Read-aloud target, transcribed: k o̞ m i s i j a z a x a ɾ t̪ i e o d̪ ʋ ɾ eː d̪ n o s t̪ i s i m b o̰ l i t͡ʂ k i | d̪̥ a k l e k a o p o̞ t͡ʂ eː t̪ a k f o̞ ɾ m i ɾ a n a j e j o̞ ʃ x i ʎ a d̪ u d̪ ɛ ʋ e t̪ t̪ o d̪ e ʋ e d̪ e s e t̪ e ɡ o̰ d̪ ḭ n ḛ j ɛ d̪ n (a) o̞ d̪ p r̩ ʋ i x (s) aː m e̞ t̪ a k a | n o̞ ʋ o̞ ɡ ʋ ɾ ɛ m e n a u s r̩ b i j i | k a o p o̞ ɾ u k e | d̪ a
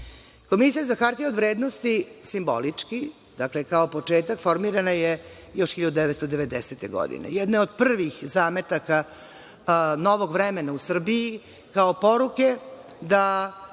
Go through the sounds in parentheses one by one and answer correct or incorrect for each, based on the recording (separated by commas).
incorrect, incorrect